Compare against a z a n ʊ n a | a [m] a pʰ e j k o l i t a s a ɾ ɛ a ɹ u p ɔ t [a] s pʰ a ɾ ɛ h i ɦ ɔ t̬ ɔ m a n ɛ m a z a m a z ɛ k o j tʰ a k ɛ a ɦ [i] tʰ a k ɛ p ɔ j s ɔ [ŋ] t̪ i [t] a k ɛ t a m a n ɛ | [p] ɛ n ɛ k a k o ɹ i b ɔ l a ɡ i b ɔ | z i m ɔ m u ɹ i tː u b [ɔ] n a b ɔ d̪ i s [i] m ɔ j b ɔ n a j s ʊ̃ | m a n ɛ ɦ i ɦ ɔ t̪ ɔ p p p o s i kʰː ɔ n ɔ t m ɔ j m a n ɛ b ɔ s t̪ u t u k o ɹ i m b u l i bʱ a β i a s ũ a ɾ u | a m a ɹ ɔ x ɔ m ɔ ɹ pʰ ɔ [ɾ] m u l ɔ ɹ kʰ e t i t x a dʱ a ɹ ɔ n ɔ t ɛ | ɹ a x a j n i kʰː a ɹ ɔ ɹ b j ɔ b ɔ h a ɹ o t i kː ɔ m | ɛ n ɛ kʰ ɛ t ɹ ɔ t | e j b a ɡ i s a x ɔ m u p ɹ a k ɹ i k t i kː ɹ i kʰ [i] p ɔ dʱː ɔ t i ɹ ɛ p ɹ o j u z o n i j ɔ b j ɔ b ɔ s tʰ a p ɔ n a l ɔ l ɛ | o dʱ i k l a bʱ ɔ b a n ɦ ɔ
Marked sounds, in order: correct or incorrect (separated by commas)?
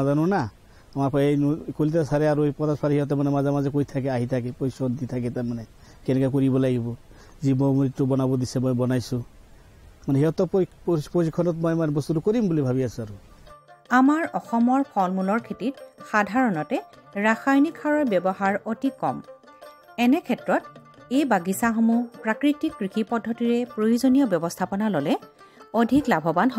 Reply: correct, correct, correct, incorrect, incorrect, incorrect, correct, incorrect, incorrect, correct